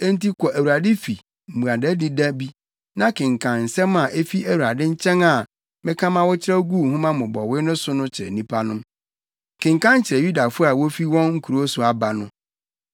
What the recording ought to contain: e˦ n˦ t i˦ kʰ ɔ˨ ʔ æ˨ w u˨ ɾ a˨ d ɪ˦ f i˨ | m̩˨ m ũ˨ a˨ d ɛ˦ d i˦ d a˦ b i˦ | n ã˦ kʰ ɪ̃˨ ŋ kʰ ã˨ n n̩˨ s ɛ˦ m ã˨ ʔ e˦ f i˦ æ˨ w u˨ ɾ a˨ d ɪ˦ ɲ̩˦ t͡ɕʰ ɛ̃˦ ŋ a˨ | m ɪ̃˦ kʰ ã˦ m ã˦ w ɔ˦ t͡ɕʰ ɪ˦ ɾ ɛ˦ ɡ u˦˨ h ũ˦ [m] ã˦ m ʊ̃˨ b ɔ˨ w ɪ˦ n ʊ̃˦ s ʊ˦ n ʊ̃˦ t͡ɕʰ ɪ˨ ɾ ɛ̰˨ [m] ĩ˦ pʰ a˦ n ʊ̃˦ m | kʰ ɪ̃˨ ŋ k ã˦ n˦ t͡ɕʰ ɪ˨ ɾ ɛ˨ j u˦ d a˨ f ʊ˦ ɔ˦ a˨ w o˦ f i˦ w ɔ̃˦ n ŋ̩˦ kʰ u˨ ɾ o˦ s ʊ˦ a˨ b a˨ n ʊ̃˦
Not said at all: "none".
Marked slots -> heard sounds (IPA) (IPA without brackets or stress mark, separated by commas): m, n